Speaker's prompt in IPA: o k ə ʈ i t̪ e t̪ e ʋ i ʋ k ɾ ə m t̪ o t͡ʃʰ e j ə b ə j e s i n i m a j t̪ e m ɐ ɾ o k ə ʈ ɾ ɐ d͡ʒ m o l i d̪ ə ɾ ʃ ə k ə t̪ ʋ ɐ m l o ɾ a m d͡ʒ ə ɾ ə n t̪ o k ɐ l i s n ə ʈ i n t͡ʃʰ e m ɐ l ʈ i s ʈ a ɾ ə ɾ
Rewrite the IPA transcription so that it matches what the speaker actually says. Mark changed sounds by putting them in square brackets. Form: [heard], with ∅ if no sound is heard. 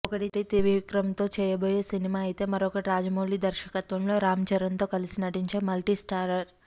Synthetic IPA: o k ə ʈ i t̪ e t̪ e ʋ i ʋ k ɾ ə m t̪ o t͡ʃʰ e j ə b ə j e s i n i m a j t̪ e m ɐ ɾ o k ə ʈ ɾ [a] d͡ʒ m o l i d̪ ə ɾ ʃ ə k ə t̪ ʋ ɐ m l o ɾ a m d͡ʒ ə ɾ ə n t̪ o k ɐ l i s n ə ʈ i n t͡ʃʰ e m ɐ l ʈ i s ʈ a ɾ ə ɾ